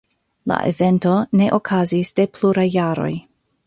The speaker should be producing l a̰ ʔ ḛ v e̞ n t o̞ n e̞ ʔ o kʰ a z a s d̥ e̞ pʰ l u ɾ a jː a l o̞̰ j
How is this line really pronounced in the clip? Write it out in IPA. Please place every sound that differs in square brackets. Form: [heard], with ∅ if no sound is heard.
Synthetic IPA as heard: l a̰ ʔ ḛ v e̞ n t o̞ n e̞ ʔ o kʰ a z [i] s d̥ e̞ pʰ l u ɾ a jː a [ɾ] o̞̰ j